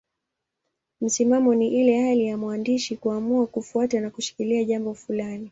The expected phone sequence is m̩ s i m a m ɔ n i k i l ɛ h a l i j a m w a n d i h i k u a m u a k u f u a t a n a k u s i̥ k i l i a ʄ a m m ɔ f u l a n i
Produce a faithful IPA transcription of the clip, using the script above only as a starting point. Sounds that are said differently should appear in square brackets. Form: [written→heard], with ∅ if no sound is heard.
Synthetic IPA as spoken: m̩ s i m a m ɔ n i [k→ʔ] i l ɛ h a l i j a m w a n d i [h→ʃ] i k u a m u a k u f u a t a n a k u [s→ʃ] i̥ k i l i a ʄ a m [m→b] ɔ f u l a n i